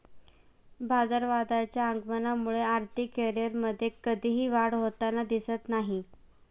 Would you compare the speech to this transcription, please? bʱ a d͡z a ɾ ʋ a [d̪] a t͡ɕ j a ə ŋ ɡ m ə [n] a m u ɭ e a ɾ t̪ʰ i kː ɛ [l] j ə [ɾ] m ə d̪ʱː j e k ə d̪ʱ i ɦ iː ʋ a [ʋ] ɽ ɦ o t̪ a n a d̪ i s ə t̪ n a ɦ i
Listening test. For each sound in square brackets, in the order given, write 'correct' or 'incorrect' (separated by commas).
correct, correct, incorrect, correct, incorrect